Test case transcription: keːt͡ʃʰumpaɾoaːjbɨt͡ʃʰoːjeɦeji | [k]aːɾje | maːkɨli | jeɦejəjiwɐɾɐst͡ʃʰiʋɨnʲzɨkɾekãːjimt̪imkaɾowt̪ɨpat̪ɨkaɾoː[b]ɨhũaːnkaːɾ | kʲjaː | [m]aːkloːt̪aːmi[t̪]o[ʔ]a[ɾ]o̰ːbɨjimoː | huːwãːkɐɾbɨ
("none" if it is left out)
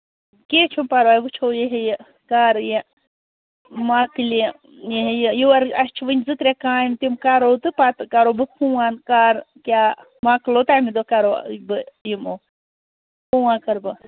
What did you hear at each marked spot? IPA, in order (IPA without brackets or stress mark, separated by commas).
k, b, m, d̪, k, ɾ